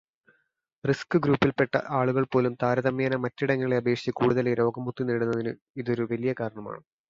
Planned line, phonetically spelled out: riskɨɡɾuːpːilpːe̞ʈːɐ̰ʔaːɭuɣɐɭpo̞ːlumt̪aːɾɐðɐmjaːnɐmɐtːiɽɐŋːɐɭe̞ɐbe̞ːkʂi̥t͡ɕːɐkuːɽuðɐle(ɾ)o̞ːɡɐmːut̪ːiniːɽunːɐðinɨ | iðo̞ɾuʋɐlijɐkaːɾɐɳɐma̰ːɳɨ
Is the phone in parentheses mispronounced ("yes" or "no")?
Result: no